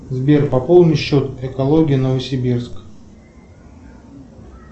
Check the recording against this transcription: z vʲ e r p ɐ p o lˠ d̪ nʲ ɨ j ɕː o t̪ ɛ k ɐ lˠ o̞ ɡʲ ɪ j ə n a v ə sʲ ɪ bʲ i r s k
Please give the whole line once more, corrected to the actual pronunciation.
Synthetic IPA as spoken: z bʲ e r p ɐ p o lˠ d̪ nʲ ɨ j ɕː o t̪ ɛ k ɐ lˠ o̞ ɡʲ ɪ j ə n ə v ə sʲ ɪ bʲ i r s k